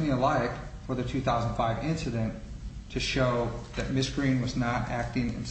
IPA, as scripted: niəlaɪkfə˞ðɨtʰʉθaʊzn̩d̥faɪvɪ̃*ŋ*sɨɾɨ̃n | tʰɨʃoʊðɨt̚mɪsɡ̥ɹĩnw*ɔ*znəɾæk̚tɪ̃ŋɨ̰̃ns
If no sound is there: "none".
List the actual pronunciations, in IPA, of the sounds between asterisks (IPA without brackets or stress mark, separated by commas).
n, ʌ